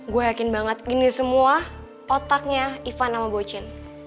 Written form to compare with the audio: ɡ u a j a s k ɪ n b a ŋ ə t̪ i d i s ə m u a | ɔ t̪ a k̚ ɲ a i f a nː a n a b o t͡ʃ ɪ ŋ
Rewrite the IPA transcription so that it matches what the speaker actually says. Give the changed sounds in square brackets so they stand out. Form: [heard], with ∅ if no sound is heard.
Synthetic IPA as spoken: ɡ u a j a [∅] k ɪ n b a ŋ ə t̪ i [n] i s ə m u a | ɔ t̪ a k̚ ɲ a i f a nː a [m] a b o t͡ʃ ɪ [n]